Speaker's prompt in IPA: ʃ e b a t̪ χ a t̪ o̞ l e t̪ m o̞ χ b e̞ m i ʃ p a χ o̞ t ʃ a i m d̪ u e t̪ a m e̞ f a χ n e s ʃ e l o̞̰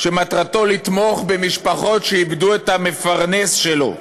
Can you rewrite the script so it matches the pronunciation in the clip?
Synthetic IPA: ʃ e m a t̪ ʁ a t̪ o̞ l i t̪ m o̞ χ b e̞ m i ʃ p a χ o̞ t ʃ e i b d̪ u e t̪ a m e̞ f a ʁ n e s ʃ e l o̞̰